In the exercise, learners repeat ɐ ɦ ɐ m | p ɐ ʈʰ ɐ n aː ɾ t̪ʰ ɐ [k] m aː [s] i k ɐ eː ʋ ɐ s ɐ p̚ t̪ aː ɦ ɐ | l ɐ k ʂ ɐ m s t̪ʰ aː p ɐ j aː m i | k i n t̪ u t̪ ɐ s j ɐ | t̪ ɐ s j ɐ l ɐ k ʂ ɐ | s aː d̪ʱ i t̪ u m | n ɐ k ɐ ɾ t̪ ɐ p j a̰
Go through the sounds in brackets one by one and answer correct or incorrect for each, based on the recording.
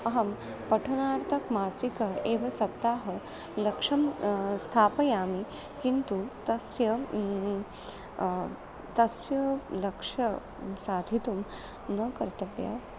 correct, correct

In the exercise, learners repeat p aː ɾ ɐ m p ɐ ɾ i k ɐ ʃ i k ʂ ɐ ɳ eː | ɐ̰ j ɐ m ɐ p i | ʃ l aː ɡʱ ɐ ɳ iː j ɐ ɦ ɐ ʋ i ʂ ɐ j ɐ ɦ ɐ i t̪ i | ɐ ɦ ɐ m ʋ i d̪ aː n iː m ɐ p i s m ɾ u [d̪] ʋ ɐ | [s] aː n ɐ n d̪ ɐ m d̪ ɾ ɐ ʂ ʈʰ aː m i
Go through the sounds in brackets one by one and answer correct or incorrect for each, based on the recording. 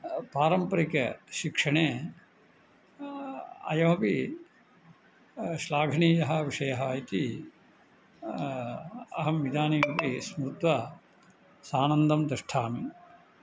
incorrect: t̪, correct

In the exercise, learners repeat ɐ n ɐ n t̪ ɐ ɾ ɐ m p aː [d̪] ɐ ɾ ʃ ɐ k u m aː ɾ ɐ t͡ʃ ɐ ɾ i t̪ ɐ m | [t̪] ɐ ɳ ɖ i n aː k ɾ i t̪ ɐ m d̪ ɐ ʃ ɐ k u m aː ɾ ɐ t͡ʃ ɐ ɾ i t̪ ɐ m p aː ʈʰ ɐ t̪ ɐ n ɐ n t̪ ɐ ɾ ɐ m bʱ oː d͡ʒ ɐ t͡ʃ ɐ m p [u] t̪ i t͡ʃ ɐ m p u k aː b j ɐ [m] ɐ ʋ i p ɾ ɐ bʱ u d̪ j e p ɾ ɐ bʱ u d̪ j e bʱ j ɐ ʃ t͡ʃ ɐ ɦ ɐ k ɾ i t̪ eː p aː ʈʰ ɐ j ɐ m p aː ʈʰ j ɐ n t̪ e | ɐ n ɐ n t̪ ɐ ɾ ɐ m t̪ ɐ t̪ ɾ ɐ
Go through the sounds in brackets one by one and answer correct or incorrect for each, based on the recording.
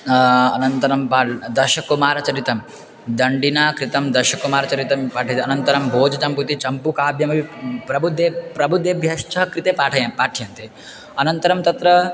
correct, incorrect: d̪, correct, correct

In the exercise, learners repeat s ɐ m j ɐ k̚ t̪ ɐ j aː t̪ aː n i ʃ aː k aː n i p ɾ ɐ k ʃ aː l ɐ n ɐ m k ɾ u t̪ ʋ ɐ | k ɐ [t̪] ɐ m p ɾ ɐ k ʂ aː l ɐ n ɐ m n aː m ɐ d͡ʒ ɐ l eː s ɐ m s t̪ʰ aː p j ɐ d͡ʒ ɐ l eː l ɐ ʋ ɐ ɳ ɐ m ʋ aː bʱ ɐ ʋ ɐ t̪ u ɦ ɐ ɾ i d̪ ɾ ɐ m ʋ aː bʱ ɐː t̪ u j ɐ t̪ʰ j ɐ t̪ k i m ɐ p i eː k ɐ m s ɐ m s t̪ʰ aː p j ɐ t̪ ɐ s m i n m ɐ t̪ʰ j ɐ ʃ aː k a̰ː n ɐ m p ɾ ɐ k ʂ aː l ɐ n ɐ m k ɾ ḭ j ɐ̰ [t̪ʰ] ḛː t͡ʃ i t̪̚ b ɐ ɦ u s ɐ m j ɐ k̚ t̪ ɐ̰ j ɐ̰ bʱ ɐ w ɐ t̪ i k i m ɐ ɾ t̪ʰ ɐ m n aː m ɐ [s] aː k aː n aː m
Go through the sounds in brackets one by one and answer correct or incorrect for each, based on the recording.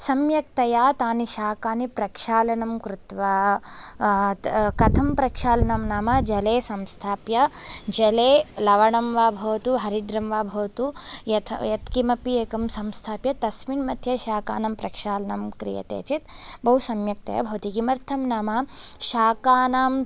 incorrect: t̪ʰ, incorrect: t̪, incorrect: ʃ

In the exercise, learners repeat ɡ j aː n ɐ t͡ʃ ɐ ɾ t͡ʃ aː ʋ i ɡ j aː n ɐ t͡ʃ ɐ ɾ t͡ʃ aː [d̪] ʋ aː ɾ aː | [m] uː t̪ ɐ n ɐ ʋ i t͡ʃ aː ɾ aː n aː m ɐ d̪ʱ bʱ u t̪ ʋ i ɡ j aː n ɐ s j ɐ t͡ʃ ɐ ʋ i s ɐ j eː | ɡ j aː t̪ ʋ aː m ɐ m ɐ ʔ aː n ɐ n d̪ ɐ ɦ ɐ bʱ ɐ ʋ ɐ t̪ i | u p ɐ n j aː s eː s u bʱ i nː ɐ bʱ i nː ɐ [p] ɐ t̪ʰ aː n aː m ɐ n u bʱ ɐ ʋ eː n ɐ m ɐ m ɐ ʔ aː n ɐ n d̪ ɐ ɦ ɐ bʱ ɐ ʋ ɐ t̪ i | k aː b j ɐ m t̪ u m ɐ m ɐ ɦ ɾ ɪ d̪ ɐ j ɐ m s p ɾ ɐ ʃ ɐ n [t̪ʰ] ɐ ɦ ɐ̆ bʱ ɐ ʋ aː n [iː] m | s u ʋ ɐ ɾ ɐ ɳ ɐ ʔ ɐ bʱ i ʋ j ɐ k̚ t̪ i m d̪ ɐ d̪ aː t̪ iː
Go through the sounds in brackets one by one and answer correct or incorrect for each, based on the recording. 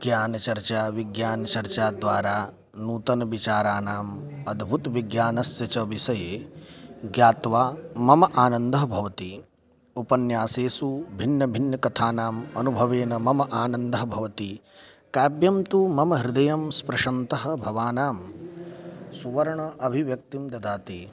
correct, incorrect: n, incorrect: k, incorrect: t̪, incorrect: aː

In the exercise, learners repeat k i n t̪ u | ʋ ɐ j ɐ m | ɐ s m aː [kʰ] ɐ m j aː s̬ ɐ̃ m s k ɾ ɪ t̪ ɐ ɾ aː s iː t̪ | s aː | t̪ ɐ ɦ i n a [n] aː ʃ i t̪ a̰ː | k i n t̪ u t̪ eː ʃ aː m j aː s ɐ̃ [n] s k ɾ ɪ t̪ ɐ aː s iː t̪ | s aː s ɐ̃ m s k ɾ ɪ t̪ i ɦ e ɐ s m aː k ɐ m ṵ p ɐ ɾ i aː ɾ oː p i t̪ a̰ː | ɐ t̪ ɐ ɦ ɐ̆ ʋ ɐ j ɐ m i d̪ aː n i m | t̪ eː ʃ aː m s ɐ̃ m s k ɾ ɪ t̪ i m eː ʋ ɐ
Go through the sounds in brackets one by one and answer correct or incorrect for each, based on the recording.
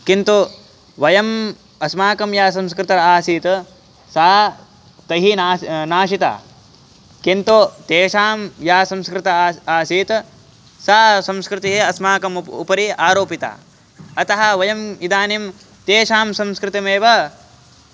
incorrect: k, correct, incorrect: m

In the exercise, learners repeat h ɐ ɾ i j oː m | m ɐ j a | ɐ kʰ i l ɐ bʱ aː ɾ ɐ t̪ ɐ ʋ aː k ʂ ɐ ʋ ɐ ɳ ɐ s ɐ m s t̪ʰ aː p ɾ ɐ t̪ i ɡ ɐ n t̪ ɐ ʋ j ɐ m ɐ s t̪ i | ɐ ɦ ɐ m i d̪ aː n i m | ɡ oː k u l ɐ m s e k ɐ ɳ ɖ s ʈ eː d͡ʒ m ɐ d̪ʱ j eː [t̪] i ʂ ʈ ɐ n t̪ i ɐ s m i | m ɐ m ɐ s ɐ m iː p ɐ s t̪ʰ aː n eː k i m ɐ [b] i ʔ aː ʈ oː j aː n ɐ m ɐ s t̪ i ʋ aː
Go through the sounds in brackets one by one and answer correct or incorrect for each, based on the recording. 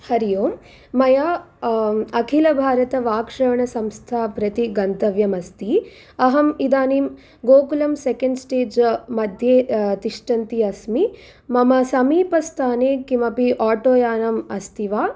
correct, incorrect: p

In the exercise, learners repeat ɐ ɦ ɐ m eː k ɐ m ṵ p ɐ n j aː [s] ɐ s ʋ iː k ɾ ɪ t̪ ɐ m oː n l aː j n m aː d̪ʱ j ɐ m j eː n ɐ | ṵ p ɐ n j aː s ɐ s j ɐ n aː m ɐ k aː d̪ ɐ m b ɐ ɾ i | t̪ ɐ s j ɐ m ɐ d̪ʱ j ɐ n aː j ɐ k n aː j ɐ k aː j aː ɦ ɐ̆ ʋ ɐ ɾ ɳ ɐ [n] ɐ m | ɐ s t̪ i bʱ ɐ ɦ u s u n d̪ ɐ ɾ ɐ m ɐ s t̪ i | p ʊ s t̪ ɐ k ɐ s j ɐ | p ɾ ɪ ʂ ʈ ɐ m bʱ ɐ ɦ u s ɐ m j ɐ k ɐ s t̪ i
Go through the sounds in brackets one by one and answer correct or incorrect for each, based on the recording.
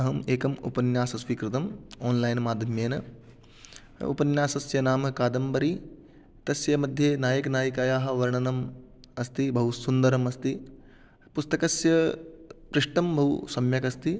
correct, correct

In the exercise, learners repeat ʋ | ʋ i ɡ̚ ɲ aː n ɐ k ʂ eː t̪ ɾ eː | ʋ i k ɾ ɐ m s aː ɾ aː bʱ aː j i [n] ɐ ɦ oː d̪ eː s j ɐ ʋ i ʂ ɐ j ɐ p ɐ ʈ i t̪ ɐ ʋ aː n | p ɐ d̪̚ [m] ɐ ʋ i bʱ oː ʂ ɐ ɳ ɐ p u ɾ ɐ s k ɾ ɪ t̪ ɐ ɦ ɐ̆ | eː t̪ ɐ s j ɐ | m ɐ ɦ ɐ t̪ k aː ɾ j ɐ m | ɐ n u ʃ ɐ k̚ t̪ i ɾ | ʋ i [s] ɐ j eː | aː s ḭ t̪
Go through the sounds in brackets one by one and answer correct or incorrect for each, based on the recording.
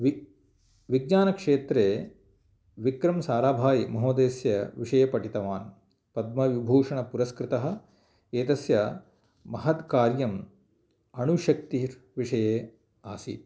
incorrect: m, correct, incorrect: ʂ

